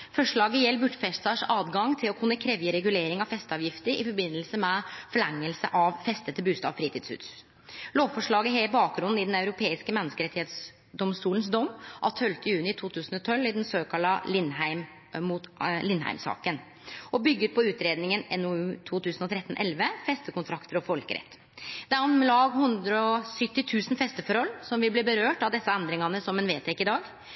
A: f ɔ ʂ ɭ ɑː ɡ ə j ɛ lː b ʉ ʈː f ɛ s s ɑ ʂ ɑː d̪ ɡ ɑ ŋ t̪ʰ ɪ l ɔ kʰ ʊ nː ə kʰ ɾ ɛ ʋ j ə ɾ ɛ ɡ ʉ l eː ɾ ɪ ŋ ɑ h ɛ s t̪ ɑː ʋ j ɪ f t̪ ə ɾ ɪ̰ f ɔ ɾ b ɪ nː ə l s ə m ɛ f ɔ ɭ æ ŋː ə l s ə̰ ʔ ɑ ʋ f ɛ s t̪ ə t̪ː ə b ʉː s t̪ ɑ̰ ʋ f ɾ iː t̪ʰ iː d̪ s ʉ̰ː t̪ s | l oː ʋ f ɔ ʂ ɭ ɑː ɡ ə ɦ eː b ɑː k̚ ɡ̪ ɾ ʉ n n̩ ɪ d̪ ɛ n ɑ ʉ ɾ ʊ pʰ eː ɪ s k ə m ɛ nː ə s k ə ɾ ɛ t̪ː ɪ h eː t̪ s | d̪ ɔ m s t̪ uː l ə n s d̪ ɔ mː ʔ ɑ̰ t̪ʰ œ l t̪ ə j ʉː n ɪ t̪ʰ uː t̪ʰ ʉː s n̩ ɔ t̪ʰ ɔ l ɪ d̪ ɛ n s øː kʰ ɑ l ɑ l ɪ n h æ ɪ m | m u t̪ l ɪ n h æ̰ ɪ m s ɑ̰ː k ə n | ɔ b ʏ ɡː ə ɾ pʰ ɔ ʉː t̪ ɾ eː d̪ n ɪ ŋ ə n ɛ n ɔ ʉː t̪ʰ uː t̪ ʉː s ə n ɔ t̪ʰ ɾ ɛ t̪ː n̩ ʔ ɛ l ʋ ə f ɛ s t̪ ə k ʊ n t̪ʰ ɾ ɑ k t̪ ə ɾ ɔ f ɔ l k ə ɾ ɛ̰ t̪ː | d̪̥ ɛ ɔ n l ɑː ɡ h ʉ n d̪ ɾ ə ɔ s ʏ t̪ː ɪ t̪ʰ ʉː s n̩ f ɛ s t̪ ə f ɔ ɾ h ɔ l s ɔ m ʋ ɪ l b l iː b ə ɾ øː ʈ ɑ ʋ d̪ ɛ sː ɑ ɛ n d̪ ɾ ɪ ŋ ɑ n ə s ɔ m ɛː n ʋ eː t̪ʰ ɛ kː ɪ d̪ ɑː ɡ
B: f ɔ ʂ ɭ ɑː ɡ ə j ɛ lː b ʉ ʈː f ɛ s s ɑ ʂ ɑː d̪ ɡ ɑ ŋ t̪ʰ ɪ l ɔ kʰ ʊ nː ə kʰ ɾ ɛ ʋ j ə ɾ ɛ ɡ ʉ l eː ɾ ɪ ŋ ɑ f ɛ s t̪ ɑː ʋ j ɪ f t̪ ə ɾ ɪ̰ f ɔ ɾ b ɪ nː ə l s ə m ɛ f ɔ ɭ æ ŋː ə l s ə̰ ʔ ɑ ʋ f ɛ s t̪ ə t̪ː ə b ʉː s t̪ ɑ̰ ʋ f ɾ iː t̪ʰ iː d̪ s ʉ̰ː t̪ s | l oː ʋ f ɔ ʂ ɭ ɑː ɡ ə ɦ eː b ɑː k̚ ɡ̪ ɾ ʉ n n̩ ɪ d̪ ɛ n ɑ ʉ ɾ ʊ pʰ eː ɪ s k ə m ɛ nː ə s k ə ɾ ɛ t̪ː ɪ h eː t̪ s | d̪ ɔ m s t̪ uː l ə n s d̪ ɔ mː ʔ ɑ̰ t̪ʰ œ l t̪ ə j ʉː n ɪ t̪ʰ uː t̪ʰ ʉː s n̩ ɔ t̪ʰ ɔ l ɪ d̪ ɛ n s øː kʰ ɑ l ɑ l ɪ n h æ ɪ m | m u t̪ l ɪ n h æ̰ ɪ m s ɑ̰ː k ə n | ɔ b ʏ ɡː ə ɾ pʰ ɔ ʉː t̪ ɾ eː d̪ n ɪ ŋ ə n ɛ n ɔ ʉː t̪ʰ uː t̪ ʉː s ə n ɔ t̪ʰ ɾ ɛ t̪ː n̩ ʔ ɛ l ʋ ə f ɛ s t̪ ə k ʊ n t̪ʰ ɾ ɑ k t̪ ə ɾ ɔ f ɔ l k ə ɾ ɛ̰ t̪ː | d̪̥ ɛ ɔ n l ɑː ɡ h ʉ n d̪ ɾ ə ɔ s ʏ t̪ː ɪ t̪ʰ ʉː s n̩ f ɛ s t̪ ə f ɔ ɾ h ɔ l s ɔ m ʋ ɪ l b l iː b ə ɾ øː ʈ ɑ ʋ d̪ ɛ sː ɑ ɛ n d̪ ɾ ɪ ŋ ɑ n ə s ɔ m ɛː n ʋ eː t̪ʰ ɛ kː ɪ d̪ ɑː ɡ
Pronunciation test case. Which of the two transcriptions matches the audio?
B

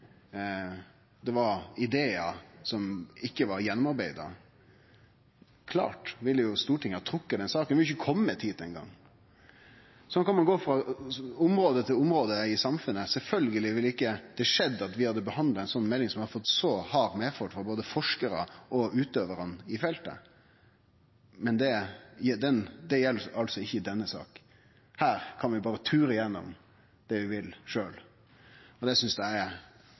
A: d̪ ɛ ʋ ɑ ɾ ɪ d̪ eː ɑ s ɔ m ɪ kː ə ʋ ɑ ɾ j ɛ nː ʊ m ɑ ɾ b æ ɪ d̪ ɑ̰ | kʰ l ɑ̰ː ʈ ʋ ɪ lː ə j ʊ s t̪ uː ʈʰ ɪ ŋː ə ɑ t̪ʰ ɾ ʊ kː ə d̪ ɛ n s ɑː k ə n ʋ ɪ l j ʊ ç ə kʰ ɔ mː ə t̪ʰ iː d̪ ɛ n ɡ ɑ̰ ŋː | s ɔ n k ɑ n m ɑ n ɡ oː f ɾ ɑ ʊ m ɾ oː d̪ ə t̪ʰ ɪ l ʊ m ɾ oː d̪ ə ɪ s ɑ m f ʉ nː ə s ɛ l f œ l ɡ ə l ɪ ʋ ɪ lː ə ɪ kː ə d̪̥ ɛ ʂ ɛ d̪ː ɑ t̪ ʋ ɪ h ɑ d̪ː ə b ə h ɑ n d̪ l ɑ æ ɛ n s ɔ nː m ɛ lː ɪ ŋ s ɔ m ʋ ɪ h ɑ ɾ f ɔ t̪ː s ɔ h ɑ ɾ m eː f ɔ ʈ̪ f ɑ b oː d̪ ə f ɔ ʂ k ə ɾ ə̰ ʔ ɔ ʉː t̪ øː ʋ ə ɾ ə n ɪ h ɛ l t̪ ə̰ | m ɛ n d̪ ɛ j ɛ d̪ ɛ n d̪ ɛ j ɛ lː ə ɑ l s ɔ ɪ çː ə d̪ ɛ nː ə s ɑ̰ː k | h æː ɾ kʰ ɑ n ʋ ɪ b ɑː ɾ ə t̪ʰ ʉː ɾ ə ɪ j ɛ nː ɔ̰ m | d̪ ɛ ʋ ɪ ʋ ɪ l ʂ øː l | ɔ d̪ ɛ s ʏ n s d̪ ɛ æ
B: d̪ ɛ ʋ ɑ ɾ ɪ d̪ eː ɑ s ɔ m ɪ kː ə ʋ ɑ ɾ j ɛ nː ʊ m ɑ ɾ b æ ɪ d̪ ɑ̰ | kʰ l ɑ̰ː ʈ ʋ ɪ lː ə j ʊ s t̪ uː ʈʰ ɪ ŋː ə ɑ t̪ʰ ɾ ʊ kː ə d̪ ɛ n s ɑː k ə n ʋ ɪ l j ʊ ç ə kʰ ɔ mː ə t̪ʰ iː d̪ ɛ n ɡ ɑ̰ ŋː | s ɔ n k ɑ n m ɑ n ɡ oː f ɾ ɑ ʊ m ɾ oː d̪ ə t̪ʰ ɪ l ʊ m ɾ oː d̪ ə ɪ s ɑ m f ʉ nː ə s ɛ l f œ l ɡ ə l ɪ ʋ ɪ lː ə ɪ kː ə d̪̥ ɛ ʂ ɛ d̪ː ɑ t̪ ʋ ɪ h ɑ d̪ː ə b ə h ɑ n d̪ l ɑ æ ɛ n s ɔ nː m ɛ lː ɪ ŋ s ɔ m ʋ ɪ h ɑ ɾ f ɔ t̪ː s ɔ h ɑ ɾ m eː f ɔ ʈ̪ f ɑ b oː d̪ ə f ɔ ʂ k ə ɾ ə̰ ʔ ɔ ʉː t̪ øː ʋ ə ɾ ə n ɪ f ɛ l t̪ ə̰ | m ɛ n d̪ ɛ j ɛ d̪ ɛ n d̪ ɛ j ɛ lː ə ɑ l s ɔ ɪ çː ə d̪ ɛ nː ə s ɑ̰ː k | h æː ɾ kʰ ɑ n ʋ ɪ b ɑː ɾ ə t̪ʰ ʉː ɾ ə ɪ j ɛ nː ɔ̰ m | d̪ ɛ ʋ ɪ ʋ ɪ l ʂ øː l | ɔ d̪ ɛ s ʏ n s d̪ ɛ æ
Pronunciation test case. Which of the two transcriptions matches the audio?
B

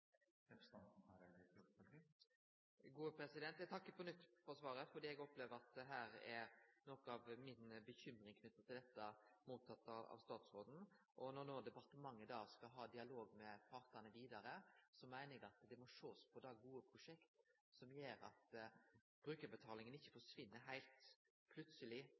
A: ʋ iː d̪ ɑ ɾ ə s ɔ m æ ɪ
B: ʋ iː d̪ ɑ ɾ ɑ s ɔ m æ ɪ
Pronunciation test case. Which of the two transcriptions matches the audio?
A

